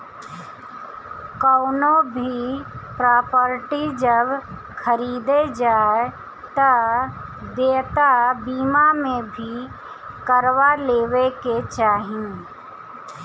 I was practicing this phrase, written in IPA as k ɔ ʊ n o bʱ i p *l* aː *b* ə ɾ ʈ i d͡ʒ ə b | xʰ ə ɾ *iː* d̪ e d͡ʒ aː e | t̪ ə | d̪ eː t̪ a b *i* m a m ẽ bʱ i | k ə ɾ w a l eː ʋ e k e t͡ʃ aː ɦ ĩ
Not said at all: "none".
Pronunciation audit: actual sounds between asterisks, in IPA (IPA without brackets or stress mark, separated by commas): ɾ, p, iː, iː